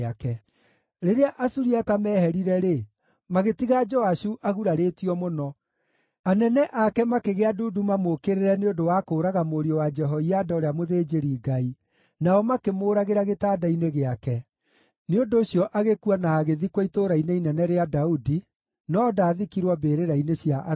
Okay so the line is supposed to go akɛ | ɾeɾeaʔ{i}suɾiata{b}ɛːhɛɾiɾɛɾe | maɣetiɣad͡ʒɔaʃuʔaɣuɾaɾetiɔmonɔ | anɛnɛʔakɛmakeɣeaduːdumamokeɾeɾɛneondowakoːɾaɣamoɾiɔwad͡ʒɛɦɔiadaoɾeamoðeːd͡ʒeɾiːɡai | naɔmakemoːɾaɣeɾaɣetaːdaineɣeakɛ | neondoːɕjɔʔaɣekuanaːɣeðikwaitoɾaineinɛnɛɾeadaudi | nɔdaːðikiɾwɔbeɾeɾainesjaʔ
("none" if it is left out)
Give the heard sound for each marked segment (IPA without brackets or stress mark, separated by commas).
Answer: a, m